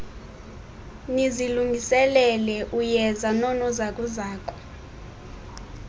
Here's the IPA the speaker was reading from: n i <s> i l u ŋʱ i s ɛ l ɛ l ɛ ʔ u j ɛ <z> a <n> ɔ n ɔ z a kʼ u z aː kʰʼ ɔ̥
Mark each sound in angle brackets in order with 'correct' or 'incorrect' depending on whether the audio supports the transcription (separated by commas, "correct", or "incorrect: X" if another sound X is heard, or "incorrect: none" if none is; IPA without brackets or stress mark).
incorrect: z, correct, correct